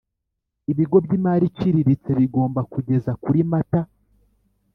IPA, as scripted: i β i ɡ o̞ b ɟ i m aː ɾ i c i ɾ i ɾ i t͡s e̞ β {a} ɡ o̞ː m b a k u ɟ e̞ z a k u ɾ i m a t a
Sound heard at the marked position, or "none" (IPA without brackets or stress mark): i